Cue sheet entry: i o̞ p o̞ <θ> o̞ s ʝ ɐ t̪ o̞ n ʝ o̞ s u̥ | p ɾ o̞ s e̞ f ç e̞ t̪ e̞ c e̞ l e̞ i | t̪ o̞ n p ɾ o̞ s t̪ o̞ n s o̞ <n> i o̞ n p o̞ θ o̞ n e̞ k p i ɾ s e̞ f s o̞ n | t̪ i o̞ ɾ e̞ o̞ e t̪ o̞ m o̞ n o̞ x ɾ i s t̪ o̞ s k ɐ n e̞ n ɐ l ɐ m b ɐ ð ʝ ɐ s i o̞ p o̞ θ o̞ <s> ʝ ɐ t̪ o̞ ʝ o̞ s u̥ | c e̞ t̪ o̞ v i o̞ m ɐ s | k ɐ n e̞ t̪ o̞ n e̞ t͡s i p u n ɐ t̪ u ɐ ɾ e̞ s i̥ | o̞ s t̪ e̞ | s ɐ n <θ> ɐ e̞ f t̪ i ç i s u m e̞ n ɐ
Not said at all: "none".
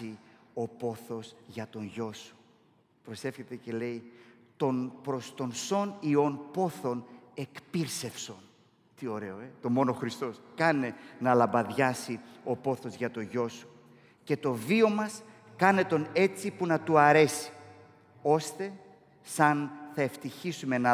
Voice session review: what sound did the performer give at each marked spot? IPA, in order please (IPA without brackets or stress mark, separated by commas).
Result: θ, n, z, θ